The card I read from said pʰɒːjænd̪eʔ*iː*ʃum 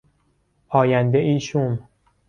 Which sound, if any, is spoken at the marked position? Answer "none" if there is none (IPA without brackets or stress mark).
iː